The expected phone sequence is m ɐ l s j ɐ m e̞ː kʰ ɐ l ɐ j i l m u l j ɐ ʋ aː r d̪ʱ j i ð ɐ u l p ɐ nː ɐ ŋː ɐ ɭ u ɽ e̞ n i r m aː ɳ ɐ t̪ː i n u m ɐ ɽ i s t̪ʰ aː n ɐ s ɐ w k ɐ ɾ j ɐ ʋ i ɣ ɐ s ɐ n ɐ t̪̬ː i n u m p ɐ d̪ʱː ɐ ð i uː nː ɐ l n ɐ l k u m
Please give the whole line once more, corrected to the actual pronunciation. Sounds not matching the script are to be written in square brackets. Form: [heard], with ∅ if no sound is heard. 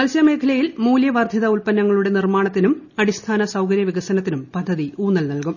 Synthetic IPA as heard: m ɐ l s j ɐ m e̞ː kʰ ɐ l ɐ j i l m [uː] l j ɐ ʋ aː r d̪ʱ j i ð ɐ u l p ɐ nː ɐ ŋː ɐ ɭ u ɽ e̞ n i r m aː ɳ ɐ t̪ː i n u m ɐ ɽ i s t̪ʰ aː n ɐ s ɐ w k ɐ ɾ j ɐ ʋ i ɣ ɐ s ɐ n ɐ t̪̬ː i n u m p ɐ d̪ʱː ɐ ð i uː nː ɐ l n ɐ l k u m